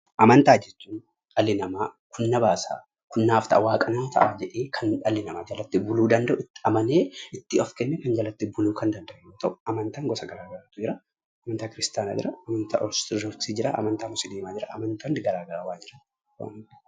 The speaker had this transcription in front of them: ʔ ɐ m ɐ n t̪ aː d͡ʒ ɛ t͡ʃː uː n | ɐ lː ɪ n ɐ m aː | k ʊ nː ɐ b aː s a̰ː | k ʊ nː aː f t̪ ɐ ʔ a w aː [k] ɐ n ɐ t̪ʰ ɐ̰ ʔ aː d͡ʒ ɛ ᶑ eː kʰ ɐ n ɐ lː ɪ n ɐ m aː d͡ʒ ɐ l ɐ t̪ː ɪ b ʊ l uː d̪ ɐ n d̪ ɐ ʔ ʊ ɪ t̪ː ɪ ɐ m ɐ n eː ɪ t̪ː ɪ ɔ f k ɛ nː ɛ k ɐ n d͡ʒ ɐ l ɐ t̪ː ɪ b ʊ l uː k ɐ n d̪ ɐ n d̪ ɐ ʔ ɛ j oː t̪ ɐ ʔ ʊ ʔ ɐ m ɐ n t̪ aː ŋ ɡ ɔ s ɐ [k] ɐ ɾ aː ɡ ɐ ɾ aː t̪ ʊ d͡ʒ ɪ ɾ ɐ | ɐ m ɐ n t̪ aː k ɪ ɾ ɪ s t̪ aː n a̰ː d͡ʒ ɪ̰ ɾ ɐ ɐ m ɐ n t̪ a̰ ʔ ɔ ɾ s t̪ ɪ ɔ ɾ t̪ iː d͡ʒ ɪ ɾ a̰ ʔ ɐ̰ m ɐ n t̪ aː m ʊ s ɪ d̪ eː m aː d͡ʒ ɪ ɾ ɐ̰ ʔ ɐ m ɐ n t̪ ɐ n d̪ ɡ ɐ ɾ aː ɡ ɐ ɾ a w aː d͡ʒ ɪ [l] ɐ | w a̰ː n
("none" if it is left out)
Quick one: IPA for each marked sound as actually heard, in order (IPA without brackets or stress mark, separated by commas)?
kʼ, ɡ, ɾ